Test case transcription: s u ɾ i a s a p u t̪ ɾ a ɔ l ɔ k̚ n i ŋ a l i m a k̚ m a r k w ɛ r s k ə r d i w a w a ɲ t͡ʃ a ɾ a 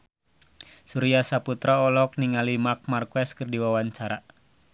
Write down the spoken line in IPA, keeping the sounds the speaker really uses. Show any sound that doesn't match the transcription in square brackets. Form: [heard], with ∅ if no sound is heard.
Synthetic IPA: s u ɾ i a s a p u t̪ ɾ a ɔ l ɔ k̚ n i ŋ a l i m a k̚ m a r k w ɛ [∅] s k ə r d i w a w a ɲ t͡ʃ a ɾ a